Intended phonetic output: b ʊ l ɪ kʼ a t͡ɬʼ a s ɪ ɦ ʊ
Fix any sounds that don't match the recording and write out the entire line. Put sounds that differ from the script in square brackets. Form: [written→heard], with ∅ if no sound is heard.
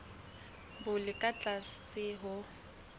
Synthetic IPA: b ʊ l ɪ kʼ a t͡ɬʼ a s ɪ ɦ ʊ